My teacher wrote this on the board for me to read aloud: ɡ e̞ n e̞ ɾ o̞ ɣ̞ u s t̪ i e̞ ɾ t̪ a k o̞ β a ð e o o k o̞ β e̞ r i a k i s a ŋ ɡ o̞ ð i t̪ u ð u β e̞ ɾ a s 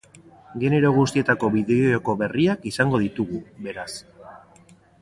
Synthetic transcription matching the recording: ɡ e̞ n e̞ ɾ o̞ ɣ̞ u s t̪ i e̞ t̪ a k o̞ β i ð e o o k o̞ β e̞ r i a k i s a ŋ ɡ o̞ ð i t̪ u ɣ u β e̞ ɾ a s